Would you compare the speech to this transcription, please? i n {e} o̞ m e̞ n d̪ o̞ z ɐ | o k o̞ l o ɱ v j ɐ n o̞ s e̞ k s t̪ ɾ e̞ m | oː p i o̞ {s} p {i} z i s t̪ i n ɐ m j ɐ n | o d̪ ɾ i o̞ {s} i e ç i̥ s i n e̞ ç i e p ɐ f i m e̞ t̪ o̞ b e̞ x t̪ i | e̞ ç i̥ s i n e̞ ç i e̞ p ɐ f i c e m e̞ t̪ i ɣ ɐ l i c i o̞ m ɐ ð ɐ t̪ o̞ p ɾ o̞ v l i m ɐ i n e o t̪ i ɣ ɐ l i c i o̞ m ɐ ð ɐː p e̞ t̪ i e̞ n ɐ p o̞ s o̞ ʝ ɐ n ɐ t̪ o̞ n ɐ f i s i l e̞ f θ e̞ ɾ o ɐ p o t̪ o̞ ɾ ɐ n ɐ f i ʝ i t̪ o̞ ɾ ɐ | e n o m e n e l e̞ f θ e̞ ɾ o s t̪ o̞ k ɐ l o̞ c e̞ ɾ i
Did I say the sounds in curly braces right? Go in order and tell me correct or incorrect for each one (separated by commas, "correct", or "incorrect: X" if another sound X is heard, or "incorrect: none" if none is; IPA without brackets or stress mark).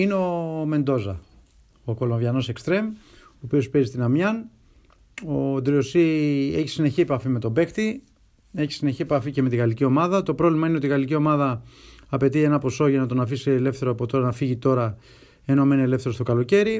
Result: correct, correct, incorrect: e, correct